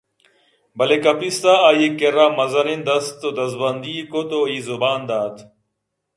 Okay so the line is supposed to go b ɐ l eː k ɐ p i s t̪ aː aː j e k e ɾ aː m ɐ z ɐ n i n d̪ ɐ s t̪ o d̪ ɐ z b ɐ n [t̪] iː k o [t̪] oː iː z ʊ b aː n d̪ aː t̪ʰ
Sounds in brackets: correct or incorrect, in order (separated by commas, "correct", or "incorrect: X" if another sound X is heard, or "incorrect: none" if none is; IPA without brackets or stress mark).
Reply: incorrect: d̪, correct